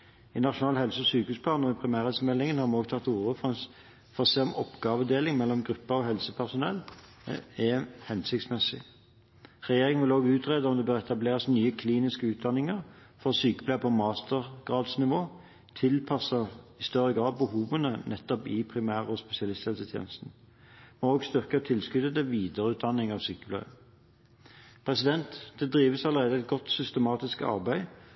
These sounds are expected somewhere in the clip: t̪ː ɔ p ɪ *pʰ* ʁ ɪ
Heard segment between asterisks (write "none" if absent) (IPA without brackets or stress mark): pʰ